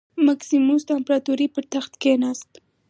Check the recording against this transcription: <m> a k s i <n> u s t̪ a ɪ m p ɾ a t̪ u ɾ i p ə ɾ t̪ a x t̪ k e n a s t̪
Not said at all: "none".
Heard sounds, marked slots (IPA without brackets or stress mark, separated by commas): m, m